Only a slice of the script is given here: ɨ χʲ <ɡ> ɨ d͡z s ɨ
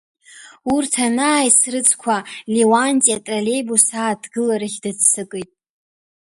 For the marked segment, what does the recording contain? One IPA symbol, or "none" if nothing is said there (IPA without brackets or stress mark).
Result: d